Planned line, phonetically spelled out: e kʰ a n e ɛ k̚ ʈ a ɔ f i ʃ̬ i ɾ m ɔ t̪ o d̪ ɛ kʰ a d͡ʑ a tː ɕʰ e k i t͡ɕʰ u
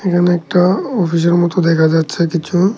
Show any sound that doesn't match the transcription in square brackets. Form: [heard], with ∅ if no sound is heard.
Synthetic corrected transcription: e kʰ a n e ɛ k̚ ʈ a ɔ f i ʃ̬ [e] ɾ m ɔ t̪ o d̪ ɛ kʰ a d͡ʑ a tː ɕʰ e k i t͡ɕʰ u